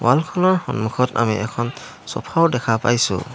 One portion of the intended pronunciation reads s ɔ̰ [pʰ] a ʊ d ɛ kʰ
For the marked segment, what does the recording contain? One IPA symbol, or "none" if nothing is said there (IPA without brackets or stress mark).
pʰ